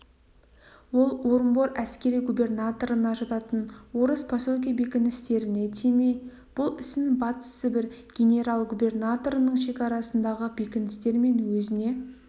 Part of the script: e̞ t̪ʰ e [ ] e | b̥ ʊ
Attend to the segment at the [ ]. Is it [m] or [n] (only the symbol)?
m